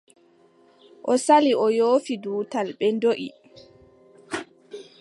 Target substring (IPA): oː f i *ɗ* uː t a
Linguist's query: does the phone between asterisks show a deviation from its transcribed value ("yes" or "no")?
yes